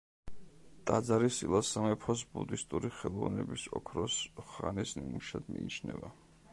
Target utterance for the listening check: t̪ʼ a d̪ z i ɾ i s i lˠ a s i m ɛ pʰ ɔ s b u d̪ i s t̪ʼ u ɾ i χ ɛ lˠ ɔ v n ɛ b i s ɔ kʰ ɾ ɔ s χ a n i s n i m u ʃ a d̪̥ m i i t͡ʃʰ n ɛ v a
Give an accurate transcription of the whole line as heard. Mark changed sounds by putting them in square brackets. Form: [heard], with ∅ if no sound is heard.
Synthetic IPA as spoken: t̪ʼ a d̪ z [a] ɾ i s i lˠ a s [a] m ɛ pʰ ɔ s b u d̪ i s t̪ʼ u ɾ i χ ɛ lˠ ɔ v n ɛ b i s ɔ kʰ ɾ ɔ s χ a n i s n i m u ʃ a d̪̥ m i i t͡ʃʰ n ɛ v a